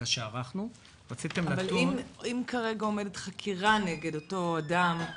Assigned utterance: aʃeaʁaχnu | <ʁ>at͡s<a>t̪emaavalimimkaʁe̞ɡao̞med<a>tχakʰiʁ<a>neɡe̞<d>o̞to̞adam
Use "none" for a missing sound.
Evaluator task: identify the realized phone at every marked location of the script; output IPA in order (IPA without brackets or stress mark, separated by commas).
ʁ, i, e, a, d